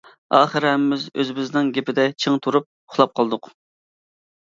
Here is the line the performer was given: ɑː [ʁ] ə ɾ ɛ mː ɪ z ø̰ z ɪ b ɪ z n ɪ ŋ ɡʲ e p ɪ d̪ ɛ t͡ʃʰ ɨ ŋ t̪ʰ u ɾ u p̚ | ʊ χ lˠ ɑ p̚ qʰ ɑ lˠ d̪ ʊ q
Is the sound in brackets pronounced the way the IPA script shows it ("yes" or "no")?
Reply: no